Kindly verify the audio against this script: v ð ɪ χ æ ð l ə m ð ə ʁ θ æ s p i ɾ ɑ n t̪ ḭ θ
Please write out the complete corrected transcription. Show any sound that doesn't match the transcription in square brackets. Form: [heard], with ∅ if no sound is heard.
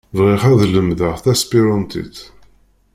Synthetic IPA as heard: v [ʁ] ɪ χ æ ð l ə m ð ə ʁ θ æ s p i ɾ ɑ n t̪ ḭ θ